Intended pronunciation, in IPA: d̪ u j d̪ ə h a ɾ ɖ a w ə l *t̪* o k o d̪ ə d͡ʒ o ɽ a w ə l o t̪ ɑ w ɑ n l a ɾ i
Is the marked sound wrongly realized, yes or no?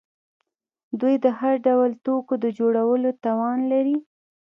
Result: no